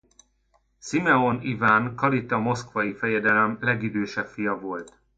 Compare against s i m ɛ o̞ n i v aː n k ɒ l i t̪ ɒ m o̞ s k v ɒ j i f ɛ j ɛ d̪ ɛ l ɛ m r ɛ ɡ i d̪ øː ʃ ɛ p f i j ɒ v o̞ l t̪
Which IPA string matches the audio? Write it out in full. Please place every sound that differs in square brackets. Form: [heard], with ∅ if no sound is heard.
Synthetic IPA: s i m ɛ o̞ n i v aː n k ɒ l i t̪ ɒ m o̞ s k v ɒ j i f ɛ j ɛ d̪ ɛ l ɛ m [l] ɛ ɡ i d̪ øː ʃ ɛ p f i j ɒ v o̞ l t̪